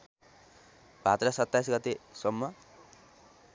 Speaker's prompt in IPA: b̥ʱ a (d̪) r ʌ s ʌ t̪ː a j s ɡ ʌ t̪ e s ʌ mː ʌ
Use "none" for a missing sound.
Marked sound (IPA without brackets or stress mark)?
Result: t̪